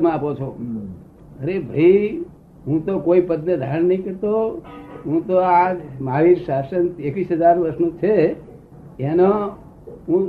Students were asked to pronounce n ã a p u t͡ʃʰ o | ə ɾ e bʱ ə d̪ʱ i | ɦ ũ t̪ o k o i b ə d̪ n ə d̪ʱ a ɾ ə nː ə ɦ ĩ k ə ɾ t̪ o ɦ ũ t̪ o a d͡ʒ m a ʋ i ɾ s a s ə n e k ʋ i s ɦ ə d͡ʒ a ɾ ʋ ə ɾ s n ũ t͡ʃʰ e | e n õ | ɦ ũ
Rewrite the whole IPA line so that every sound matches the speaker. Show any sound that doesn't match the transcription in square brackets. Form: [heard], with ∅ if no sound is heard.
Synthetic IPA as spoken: [m] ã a p [o] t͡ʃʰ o | ə ɾ e bʱ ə [∅] i | ɦ ũ t̪ o k o i [p] ə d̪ n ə d̪ʱ a ɾ ə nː ə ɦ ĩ k ə ɾ t̪ o ɦ ũ t̪ o a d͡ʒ m a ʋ i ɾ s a s ə n e k ʋ i s ɦ ə d͡ʒ a ɾ ʋ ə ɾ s n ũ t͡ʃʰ e | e n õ | ɦ ũ